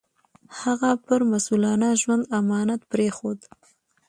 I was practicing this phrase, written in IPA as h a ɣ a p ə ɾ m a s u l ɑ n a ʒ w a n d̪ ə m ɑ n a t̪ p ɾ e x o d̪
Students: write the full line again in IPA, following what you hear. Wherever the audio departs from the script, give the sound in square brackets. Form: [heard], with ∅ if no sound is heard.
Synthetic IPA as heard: h a ɣ a p ə ɾ m a s u l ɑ n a ʒ w a n d̪ [a] m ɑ n a t̪ p ɾ e x o d̪